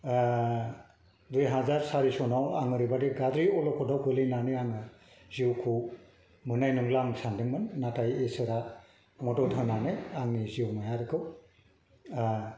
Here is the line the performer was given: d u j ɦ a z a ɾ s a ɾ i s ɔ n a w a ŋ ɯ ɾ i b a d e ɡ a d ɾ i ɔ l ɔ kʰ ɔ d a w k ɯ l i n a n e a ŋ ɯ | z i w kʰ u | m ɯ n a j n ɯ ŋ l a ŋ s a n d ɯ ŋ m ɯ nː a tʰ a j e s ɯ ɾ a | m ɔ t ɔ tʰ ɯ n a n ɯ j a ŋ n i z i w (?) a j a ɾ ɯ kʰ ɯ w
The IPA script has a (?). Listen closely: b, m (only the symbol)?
m